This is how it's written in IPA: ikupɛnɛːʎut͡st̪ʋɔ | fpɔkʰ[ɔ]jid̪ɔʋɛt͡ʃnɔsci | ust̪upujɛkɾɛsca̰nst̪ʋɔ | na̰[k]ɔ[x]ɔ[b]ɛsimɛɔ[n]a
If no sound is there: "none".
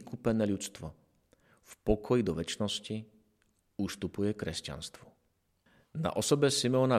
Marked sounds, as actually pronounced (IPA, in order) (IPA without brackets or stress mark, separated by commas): ɔ, ʔ, s, b, n